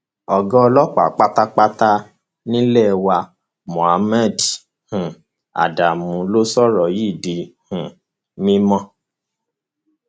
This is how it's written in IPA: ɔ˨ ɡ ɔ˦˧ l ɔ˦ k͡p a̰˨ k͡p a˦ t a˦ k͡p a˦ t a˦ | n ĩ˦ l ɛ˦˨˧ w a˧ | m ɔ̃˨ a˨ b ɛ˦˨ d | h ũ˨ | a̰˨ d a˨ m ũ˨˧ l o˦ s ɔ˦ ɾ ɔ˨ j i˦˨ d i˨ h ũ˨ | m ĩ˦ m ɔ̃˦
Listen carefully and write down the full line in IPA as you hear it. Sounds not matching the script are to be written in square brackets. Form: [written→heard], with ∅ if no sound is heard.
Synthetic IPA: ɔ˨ ɡ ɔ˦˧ l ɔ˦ k͡p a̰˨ k͡p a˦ t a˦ k͡p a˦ t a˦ | n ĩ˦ l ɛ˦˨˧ w a˧ | m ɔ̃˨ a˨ [b→m] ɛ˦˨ d | h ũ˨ | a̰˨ d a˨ m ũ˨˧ l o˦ s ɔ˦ ɾ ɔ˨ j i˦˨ d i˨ h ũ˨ | m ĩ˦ m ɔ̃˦